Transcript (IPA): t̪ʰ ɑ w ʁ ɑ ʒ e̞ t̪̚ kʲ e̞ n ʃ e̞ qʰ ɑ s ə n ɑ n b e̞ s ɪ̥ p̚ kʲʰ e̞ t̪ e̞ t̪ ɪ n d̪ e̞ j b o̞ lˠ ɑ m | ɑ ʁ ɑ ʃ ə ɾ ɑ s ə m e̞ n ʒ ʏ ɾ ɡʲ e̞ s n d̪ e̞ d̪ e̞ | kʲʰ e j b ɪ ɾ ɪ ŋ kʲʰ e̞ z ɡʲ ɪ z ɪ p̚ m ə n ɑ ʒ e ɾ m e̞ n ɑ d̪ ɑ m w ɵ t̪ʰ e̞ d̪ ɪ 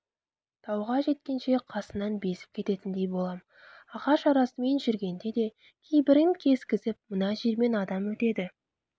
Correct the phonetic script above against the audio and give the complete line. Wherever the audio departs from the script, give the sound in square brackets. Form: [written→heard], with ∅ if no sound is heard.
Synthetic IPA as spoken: t̪ʰ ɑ w ʁ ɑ ʒ e̞ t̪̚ kʲ e̞ n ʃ e̞ qʰ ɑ s ə n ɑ n b e̞ s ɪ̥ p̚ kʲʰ e̞ t̪ e̞ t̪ ɪ n d̪ e̞ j b o̞ lˠ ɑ m | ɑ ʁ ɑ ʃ [ə→ɑ] ɾ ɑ s ə m e̞ n ʒ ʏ ɾ ɡʲ e̞ [s→∅] n d̪ e̞ d̪ e̞ | kʲʰ e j b ɪ ɾ ɪ ŋ kʲʰ e̞ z [ɡʲ→kʲ] ɪ z ɪ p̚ m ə n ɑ ʒ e ɾ m e̞ n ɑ d̪ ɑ m w ɵ [t̪ʰ→t̪] e̞ d̪ ɪ